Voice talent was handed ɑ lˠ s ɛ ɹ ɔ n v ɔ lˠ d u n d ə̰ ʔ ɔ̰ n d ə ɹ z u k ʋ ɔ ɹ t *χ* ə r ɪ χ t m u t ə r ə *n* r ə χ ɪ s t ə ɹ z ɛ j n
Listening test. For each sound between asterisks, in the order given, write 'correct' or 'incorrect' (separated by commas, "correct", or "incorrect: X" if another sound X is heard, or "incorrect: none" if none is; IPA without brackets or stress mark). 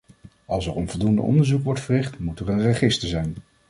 incorrect: f, correct